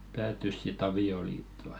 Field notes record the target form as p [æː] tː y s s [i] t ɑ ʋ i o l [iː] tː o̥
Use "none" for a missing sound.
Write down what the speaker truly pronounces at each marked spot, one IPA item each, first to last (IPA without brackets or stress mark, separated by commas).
æː, i, iː